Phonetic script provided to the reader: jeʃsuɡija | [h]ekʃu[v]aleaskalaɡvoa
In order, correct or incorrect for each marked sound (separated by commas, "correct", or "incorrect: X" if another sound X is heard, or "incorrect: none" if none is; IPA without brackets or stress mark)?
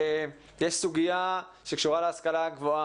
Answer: incorrect: ʃ, incorrect: ʁ